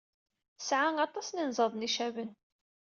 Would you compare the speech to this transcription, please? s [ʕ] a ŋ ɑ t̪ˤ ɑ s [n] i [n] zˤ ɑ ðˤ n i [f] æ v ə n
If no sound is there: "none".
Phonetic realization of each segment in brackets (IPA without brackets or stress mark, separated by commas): ʕ, n, n, ʃ